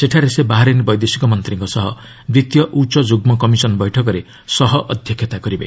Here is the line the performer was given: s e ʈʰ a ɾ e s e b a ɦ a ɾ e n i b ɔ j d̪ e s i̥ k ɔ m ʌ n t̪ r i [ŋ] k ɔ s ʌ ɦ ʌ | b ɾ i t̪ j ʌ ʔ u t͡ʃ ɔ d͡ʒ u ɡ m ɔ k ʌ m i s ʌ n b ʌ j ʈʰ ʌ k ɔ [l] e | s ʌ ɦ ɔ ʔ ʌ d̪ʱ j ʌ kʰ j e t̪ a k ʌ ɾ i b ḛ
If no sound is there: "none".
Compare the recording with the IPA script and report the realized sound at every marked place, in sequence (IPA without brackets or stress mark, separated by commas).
ŋ, ɾ